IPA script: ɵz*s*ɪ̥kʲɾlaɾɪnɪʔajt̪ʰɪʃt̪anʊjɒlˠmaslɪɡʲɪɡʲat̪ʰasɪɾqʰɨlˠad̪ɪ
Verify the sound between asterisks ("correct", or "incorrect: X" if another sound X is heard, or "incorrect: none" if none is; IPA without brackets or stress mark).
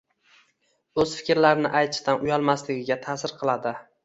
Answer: incorrect: f